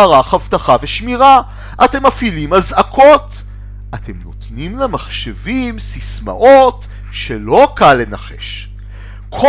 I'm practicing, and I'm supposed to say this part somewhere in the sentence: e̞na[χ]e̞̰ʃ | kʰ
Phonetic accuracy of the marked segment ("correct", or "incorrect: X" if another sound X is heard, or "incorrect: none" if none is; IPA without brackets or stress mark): correct